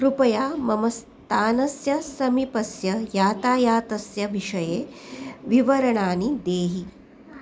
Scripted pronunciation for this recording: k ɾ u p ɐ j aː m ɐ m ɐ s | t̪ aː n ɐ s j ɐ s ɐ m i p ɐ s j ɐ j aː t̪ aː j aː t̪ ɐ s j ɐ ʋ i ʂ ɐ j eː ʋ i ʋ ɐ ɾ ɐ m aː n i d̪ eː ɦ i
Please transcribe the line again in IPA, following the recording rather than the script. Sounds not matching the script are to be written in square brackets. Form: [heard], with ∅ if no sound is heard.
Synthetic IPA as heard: k ɾ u p ɐ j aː m ɐ m ɐ s | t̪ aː n ɐ s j ɐ s ɐ m i p ɐ s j ɐ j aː t̪ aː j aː t̪ ɐ s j ɐ ʋ i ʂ ɐ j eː ʋ i ʋ ɐ ɾ ɐ [ɳ] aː n i d̪ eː ɦ i